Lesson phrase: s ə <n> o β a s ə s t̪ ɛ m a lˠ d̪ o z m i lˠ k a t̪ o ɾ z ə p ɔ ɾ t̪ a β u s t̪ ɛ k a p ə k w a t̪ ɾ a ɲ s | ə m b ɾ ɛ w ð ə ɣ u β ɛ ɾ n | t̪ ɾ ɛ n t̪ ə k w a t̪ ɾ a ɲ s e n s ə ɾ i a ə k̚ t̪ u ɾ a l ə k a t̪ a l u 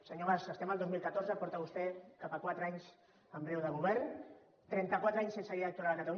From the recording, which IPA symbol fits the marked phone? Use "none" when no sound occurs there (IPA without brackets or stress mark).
ɲ